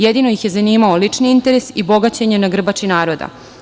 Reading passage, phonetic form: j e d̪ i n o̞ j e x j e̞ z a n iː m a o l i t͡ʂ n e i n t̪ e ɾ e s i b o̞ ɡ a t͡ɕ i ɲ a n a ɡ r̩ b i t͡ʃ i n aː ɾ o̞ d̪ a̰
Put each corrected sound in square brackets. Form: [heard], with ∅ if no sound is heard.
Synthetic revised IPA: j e d̪ i n o̞ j [i] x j e̞ z a n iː m a o l i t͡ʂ n [i] i n t̪ e ɾ e s i b o̞ ɡ a t͡ɕ [e] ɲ [e] n a ɡ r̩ b [a] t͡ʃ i n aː ɾ o̞ d̪ a̰